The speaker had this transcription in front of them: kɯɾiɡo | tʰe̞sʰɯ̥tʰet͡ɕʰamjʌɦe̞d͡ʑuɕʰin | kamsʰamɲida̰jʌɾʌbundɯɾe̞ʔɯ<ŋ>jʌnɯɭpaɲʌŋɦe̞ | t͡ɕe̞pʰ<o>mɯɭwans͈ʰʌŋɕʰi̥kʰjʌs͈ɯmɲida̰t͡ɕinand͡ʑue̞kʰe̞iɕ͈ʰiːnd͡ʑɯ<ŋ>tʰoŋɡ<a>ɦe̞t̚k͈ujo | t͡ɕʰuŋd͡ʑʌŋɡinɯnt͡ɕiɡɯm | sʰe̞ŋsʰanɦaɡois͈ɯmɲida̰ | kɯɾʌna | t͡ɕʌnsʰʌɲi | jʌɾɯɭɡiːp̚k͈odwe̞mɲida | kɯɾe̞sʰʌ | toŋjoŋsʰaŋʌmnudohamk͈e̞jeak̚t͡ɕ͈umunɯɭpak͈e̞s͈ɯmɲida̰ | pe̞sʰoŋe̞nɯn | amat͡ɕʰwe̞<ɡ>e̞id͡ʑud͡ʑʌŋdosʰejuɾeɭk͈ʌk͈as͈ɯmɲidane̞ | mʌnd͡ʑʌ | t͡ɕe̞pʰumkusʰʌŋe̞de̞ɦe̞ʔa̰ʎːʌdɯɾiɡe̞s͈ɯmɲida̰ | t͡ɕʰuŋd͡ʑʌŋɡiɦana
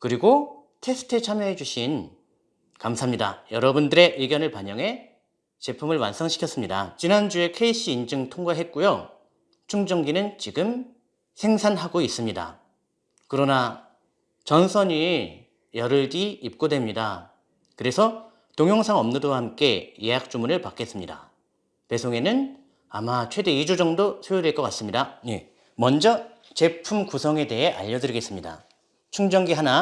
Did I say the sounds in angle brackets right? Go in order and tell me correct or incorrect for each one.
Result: incorrect, incorrect, correct, correct, incorrect

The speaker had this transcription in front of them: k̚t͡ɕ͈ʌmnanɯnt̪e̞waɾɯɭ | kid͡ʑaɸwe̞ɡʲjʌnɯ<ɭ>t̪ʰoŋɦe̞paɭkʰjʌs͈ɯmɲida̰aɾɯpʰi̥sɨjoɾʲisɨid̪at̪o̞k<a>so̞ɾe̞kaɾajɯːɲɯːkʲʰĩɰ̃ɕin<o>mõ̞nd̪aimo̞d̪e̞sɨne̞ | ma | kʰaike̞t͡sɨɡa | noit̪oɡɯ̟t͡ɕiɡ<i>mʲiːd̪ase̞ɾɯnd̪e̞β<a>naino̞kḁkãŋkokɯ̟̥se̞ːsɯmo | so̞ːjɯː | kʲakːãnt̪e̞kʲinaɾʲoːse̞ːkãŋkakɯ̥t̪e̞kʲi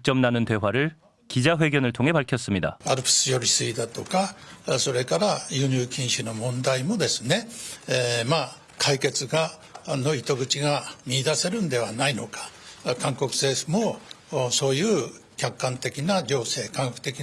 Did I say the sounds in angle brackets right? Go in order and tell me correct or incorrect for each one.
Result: correct, correct, correct, incorrect, correct

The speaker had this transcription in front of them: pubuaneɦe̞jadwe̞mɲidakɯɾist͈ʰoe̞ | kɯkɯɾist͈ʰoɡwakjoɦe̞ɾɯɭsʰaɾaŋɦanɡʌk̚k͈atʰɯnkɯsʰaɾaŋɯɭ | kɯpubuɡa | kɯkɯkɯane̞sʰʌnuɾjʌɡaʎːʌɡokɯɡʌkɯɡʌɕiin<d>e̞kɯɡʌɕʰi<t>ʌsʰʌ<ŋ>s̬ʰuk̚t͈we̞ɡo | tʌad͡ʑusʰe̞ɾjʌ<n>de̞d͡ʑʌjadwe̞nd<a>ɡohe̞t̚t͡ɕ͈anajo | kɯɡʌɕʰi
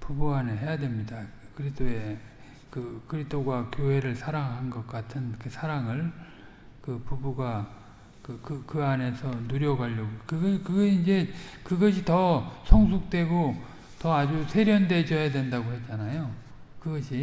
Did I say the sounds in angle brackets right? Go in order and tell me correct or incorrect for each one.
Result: incorrect, correct, correct, correct, correct

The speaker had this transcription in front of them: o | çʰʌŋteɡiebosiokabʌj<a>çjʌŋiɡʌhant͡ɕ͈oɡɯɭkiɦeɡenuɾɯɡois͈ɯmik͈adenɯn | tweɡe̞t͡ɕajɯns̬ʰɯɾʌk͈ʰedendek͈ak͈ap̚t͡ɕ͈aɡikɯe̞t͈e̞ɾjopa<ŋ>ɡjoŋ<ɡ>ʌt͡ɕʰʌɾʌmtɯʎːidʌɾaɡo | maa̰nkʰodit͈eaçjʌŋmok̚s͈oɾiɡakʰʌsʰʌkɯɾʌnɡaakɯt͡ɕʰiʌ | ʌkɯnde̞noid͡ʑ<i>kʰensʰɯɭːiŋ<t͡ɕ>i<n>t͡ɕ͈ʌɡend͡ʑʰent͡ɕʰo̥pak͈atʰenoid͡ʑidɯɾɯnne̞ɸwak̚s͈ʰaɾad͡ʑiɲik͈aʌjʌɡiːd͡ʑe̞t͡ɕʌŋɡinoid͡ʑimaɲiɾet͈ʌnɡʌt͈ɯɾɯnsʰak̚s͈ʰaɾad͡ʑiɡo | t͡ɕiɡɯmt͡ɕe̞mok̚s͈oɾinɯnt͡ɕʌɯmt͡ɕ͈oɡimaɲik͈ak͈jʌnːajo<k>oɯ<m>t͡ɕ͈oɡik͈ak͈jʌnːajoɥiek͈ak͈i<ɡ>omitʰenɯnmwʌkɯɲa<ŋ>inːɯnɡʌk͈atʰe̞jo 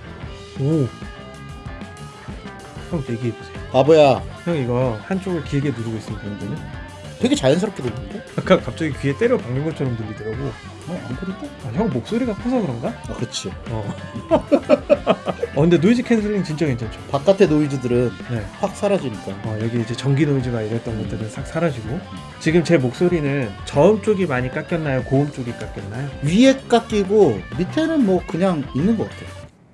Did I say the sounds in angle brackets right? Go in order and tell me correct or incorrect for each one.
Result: correct, correct, correct, correct, correct, correct, correct, correct, correct, correct

